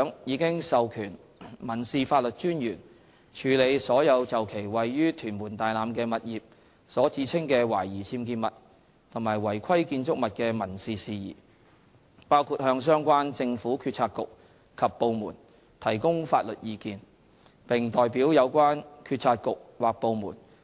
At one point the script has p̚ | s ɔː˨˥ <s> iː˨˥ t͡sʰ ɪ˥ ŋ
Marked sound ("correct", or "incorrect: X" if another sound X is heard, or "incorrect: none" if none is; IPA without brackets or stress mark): incorrect: t͡s